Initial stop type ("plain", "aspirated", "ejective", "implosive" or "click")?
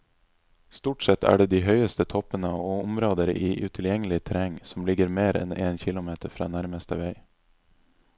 plain